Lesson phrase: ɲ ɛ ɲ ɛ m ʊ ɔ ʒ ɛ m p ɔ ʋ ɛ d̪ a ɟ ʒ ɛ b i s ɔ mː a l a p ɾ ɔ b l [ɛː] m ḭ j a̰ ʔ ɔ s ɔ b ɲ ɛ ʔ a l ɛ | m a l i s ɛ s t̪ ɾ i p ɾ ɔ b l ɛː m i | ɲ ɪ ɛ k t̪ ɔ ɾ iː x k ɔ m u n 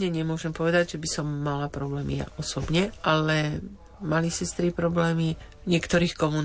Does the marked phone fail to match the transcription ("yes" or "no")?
no